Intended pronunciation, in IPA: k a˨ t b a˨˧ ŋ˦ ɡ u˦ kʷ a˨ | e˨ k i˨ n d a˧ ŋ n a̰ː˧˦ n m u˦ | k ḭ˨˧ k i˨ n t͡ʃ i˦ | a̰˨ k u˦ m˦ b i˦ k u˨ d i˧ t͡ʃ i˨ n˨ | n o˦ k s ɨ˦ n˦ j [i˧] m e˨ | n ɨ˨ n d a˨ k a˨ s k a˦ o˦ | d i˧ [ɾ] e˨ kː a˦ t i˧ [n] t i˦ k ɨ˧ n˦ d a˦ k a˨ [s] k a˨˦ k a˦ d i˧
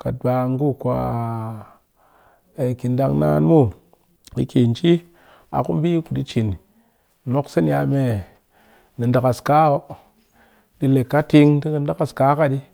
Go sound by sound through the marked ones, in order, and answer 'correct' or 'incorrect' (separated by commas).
incorrect, incorrect, incorrect, correct